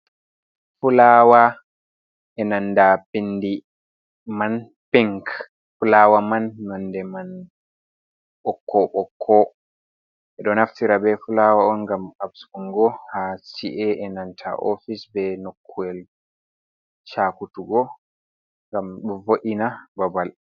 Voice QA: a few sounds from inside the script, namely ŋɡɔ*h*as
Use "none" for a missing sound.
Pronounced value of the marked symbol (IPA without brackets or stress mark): h